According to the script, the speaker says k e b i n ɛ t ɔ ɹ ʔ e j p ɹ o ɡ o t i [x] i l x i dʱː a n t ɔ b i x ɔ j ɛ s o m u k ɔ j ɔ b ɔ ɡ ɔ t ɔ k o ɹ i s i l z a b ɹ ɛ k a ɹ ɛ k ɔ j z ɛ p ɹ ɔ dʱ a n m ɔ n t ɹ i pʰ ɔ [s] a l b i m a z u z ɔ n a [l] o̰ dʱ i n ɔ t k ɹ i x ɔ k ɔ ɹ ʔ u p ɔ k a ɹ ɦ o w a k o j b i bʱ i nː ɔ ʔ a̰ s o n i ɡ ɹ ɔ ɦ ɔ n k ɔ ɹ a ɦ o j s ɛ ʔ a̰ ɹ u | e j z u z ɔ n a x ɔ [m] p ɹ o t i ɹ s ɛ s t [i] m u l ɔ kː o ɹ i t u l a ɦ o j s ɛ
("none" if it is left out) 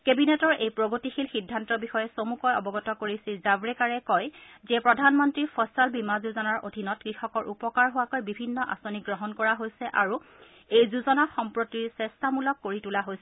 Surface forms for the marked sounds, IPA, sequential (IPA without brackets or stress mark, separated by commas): x, s, ɹ, m, a